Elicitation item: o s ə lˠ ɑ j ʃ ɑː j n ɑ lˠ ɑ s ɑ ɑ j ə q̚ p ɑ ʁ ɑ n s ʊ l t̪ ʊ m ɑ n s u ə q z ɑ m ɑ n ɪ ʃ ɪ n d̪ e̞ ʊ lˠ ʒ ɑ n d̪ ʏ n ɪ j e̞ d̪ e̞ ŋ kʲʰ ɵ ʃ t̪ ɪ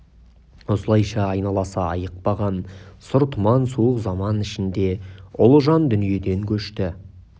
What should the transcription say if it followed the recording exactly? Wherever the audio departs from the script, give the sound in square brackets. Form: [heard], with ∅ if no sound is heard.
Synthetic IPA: o s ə lˠ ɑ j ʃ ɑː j n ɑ lˠ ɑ s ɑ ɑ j ə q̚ p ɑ ʁ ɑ n s ʊ [ɾ] t̪ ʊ m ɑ n s u ə q z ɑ m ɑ n ɪ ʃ ɪ n d̪ e̞ ʊ lˠ ʒ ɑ n d̪ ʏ n [i] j e̞ d̪ e̞ ŋ kʲʰ ɵ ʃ t̪ ɪ